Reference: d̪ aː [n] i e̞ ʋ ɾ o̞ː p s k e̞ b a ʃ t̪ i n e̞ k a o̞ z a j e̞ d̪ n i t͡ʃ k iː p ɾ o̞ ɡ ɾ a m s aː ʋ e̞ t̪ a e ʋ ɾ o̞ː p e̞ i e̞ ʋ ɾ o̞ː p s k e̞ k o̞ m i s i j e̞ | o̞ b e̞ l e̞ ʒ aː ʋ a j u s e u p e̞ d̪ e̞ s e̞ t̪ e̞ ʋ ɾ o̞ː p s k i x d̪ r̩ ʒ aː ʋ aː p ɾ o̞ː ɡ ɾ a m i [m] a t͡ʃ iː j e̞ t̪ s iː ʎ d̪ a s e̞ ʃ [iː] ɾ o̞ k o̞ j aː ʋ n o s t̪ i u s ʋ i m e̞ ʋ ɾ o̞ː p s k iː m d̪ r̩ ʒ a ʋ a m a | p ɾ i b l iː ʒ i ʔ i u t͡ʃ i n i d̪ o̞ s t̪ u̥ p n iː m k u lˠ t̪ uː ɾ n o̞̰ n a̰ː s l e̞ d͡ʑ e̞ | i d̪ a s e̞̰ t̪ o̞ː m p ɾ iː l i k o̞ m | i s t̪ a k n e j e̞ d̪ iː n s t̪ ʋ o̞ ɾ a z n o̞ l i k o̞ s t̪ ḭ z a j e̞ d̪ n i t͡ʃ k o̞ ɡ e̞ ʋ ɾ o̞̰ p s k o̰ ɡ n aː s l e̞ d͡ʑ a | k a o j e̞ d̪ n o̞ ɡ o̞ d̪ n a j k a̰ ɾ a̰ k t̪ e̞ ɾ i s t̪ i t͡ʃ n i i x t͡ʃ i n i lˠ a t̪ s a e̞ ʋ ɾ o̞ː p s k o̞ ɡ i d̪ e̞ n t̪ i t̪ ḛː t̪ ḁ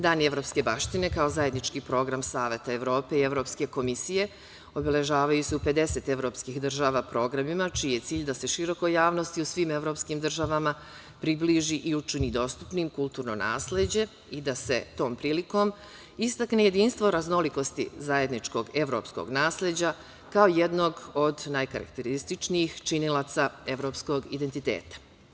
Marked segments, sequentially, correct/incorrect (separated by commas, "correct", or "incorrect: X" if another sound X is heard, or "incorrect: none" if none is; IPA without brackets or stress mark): correct, correct, incorrect: i